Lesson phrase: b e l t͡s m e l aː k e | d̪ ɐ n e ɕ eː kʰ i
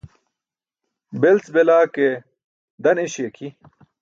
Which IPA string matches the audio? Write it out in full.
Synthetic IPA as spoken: b e l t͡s b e l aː k e | d̪ ɐ n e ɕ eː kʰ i